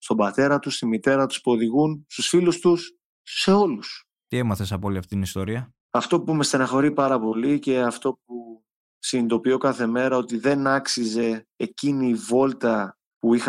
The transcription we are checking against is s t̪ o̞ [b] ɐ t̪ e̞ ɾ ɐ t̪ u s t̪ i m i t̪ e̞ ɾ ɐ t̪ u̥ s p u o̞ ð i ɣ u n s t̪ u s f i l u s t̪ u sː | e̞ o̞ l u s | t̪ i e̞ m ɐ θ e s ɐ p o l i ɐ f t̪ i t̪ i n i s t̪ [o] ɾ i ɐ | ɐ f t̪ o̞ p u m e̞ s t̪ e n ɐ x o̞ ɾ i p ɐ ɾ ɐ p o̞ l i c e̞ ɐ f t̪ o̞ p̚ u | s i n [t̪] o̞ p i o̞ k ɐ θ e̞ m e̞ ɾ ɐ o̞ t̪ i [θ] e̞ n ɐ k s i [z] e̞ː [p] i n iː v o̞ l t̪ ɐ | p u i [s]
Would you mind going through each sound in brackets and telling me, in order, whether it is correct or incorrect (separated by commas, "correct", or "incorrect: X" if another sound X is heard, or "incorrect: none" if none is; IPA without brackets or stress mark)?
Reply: correct, correct, incorrect: d̪, incorrect: ð, correct, incorrect: c, incorrect: x